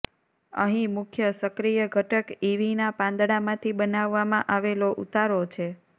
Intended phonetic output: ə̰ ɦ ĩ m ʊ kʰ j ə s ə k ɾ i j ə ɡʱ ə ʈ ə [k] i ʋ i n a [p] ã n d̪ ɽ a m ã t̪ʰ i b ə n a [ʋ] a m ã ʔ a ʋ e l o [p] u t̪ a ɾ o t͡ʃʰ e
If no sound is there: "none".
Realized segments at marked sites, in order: k, p, ʋː, ʔ

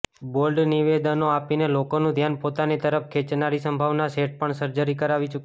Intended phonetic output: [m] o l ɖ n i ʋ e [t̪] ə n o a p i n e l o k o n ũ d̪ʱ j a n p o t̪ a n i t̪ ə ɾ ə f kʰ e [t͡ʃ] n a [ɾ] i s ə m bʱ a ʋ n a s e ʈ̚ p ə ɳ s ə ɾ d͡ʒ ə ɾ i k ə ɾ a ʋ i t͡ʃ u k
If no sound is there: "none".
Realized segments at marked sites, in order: b, d̪, t͡ʃ, ɾ

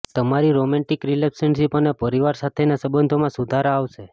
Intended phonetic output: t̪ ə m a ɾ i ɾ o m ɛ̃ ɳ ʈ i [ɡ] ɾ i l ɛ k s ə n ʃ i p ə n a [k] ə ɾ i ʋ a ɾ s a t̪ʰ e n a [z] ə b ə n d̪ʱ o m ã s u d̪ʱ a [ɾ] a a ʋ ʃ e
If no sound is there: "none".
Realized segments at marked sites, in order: k, p, s, ɾ

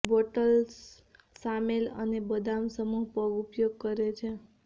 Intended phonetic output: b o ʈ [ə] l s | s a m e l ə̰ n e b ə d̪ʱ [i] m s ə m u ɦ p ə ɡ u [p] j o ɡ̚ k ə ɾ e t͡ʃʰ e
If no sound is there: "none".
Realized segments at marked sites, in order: ə, a, p

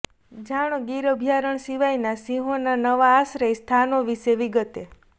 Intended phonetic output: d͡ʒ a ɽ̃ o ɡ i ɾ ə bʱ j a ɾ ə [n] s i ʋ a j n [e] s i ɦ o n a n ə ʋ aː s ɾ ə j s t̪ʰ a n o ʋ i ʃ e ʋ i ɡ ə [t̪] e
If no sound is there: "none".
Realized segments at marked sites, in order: ɳ, a, t̪

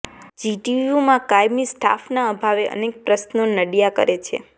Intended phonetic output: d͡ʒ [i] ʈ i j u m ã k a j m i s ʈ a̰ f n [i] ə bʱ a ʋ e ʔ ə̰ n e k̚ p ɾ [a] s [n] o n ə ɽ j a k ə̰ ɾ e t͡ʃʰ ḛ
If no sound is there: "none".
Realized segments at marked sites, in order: i, a, ə, n

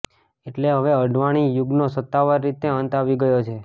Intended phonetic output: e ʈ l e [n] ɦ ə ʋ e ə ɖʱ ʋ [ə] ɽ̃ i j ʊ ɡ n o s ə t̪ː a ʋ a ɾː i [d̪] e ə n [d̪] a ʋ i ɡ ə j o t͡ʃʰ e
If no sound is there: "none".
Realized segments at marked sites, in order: none, a, t̪, t̪

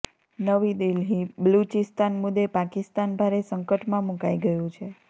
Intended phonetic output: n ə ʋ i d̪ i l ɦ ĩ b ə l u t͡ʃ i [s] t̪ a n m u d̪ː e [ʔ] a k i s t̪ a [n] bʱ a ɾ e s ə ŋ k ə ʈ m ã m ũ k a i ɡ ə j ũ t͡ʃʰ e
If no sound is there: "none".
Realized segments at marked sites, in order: s, p, n

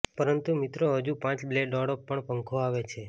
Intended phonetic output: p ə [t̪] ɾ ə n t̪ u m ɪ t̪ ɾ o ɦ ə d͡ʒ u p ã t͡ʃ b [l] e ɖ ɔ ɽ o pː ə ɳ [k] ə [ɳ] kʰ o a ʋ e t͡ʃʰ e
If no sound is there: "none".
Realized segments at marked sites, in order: none, l, p, ŋ

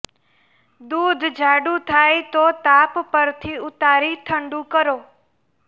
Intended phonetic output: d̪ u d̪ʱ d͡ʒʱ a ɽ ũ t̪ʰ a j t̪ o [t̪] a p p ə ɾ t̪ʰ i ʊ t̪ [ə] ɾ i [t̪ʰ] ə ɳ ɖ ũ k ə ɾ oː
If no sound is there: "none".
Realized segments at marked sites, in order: t̪, a, t̪ʰ

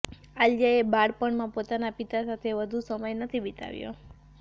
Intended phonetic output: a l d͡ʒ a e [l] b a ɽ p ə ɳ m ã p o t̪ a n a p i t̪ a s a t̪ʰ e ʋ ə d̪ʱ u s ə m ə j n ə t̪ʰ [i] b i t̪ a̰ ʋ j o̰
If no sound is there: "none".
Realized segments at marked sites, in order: none, i

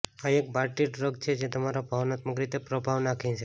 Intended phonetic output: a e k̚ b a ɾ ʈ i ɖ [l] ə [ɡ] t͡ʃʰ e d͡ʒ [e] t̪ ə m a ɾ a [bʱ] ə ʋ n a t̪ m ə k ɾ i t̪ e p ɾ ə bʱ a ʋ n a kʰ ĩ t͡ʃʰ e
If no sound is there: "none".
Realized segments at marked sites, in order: ɾ, ɡ, e, bʱ

